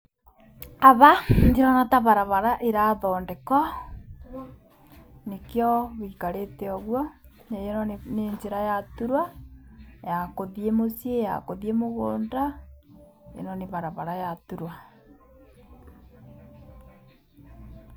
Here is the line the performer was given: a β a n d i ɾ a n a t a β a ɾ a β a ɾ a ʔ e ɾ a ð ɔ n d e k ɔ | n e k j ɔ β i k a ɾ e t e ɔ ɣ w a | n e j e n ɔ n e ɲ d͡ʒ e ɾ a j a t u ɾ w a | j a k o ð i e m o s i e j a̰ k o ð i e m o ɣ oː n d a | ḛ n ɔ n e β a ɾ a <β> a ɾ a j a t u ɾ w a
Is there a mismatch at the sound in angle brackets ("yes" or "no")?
no